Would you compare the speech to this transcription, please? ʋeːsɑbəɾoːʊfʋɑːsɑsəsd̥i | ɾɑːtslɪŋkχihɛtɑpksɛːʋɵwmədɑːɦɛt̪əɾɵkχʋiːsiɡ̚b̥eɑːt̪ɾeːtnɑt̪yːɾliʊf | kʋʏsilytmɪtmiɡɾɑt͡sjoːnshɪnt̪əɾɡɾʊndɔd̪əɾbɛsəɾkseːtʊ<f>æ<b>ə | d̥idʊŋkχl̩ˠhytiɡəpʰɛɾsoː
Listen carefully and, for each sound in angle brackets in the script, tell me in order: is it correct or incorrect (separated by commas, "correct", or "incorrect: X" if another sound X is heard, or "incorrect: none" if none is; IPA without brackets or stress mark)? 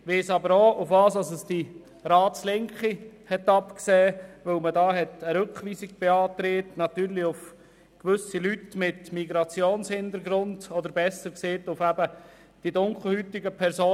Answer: correct, correct